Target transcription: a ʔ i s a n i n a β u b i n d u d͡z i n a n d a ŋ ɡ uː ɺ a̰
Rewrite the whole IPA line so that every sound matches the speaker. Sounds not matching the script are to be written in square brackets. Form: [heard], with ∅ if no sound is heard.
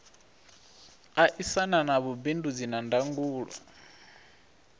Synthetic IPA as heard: a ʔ i s a n [a] n a β u b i n d u d͡z i n a n d a ŋ ɡ uː ɺ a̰